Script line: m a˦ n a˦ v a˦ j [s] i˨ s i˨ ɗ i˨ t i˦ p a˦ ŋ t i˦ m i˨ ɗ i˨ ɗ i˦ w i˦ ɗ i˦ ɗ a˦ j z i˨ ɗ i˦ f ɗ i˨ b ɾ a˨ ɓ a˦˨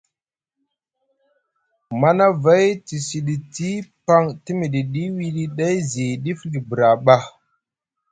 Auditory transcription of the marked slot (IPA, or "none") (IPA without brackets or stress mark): t